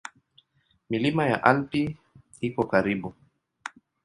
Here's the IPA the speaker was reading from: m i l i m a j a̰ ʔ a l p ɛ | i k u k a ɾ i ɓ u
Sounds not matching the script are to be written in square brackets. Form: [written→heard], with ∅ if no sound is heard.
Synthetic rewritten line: m i l i m a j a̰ ʔ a l p [ɛ→i] | i k [u→ɔ] k a ɾ i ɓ u